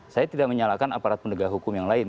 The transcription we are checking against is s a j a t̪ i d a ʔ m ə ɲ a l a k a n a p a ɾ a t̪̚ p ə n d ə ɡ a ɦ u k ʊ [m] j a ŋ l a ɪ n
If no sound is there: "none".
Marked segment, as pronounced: m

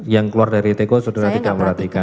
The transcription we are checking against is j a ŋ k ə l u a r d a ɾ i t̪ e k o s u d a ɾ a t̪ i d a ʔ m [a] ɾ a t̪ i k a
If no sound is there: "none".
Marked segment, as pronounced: ə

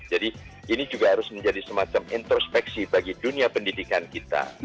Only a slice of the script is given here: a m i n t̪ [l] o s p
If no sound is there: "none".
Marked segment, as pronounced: ɾ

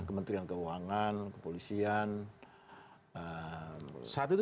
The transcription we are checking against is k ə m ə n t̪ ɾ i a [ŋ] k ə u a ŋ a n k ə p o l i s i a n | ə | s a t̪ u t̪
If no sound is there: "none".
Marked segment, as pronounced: n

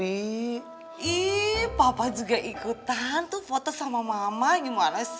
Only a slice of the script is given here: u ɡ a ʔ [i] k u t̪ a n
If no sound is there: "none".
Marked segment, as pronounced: i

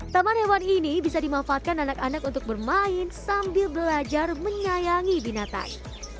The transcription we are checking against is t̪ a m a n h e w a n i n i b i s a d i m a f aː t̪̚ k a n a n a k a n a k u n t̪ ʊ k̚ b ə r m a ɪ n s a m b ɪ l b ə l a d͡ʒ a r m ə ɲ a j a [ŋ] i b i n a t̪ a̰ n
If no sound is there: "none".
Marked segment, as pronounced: ŋ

